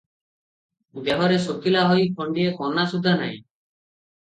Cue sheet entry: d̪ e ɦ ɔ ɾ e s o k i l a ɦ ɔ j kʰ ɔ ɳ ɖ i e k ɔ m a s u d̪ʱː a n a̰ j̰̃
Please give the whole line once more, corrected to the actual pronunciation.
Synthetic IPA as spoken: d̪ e ɦ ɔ ɾ e s o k i l a ɦ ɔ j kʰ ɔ ɳ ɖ i e k ɔ n a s u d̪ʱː a n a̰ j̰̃